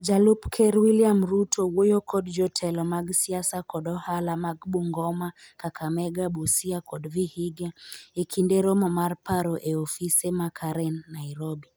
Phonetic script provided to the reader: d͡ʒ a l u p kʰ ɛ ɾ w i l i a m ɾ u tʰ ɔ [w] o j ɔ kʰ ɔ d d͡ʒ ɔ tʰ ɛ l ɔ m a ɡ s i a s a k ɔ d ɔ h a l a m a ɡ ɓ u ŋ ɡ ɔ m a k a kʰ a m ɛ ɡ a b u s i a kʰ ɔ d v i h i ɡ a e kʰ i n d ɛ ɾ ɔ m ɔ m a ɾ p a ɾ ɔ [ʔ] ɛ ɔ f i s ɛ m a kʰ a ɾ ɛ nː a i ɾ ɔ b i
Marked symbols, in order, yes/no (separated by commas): yes, yes